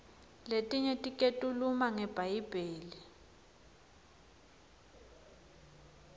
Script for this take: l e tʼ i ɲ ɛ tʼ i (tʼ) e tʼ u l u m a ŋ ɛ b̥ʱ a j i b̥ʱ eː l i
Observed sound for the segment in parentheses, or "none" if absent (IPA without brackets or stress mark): kʼ